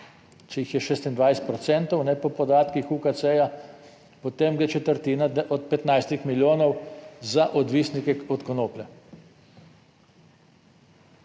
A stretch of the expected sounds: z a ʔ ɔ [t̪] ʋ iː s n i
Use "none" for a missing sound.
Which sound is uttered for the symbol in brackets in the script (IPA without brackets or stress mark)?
d̪